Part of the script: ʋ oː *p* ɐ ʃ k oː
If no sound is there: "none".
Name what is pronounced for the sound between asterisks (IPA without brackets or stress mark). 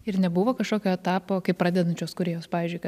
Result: k